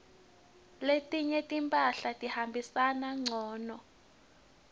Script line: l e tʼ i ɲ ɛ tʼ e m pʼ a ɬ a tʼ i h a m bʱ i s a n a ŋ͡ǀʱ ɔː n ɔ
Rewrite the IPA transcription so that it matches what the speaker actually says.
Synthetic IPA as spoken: l e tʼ i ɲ ɛ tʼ i m pʼ a ɬ a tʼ i h a m bʱ i s a n a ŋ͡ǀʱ ɔː n ɔ